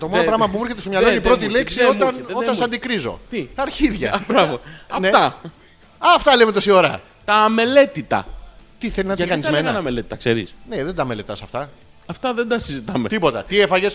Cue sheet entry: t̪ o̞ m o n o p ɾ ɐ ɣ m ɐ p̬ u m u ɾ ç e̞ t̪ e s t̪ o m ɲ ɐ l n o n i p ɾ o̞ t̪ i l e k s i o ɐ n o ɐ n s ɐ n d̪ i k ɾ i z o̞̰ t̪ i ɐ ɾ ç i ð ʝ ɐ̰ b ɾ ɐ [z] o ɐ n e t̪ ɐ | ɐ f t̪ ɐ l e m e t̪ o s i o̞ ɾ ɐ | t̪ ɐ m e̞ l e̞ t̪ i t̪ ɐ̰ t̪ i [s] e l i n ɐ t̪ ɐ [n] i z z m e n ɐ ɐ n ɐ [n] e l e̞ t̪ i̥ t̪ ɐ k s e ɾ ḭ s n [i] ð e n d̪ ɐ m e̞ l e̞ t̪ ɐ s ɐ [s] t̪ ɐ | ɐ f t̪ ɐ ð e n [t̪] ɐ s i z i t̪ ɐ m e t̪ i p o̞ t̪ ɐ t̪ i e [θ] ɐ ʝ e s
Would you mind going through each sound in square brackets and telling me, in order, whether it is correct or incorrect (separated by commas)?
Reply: incorrect, incorrect, correct, incorrect, incorrect, incorrect, incorrect, incorrect